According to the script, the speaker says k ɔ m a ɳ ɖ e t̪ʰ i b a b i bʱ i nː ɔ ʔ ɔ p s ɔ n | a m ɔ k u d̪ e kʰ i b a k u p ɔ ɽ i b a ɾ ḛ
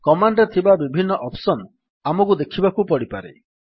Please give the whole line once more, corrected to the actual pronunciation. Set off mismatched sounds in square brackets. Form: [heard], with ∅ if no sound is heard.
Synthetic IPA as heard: k ɔ m a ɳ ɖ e t̪ʰ i b a b i bʱ i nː ɔ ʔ ɔ p s ɔ n | a m ɔ k u d̪ e kʰ i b a k u p ɔ ɽ i [p] a ɾ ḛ

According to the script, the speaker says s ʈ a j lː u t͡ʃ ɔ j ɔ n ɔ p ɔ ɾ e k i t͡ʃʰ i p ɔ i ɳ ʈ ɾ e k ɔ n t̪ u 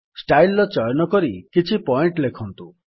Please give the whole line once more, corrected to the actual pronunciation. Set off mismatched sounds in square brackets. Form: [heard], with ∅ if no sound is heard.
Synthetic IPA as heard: s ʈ a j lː [ɔ] t͡ʃ ɔ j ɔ n ɔ [k] ɔ ɾ [i] k i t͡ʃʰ i p ɔ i ɳ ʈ [l] e [kʰ] ɔ n t̪ u

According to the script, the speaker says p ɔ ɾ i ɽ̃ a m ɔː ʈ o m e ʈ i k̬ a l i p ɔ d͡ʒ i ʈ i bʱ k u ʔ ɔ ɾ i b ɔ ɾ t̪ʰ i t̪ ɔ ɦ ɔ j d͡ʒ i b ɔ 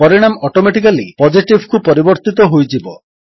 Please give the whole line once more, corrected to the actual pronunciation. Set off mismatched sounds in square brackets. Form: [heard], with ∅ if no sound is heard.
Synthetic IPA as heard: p ɔ ɾ i ɽ̃ a m [ɔ] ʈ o m e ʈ i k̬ a l i p ɔ d͡ʒ i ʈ i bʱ k u [p] ɔ ɾ i b ɔ ɾ [t̪] i t̪ ɔ ɦ [o] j d͡ʒ i b ɔ

